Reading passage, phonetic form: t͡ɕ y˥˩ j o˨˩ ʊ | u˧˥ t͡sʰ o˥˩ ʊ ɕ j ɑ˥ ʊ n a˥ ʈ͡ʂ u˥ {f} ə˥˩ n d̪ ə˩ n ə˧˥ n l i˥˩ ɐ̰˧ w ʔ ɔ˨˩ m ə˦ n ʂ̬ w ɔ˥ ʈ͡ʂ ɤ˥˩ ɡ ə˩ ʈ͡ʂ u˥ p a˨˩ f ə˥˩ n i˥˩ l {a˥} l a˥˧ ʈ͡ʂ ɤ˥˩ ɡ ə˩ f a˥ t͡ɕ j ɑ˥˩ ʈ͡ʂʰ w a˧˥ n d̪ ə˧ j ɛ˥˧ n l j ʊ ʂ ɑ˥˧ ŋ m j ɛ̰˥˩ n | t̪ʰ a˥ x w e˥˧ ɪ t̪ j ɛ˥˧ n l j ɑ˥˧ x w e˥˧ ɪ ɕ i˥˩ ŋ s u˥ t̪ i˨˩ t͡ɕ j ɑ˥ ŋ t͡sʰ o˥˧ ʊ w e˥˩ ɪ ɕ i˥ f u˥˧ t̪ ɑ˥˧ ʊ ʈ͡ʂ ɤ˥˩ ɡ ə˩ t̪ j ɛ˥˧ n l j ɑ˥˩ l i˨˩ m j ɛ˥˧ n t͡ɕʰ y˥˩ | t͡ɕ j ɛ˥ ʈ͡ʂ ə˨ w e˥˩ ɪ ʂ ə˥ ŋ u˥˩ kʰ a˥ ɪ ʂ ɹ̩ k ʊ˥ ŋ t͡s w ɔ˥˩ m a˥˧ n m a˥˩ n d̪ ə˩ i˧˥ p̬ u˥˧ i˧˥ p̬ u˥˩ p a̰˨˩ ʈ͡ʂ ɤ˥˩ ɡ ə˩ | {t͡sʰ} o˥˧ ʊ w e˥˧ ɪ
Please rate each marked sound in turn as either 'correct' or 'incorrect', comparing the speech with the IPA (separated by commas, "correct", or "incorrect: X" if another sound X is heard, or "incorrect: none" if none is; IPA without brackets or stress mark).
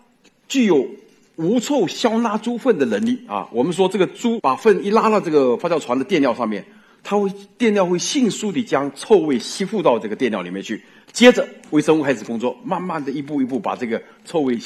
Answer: correct, correct, correct